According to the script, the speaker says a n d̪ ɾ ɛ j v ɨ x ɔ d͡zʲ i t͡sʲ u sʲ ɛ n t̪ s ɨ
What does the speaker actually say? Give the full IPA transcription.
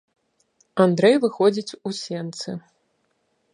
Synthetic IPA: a n d̪ ɾ ɛ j v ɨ x ɔ d͡zʲ i t͡sʲ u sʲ ɛ n t̪ s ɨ